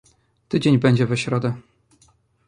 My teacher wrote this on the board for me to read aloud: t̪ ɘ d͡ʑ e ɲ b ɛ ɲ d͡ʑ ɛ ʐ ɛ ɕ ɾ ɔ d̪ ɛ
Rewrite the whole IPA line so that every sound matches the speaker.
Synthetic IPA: t̪ ɘ d͡ʑ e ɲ b ɛ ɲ d͡ʑ ɛ v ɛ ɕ ɾ ɔ d̪ ɛ